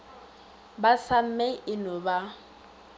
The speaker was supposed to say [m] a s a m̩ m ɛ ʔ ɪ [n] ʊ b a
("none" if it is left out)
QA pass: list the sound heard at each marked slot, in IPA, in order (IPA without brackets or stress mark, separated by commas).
b, n